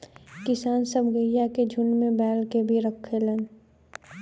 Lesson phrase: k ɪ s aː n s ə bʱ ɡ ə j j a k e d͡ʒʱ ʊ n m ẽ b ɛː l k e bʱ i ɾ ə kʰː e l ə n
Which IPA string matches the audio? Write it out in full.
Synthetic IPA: k ɪ s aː n s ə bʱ ɡ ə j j a k e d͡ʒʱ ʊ n m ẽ b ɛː l k e bʱ i ɾ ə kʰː e l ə n